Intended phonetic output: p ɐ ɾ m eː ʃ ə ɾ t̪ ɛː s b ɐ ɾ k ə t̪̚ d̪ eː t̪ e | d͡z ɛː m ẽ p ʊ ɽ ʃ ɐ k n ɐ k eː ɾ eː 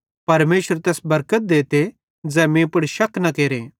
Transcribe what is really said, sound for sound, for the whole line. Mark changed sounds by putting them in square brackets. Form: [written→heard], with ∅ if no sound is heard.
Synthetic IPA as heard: p ɐ ɾ m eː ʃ ə ɾ t̪ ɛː s b ɐ ɾ k ə t̪̚ d̪ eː t̪ e | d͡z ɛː m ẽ p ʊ ɽ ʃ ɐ k n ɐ k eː ɾ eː